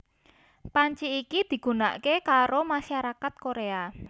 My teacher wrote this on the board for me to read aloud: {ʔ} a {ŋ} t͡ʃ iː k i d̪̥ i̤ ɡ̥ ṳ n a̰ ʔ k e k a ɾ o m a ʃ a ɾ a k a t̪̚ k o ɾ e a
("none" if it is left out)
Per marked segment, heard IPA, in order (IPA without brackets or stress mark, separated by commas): p, ɲ